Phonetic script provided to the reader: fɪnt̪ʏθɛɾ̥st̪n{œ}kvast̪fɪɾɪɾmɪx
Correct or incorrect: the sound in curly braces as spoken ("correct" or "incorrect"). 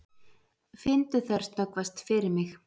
correct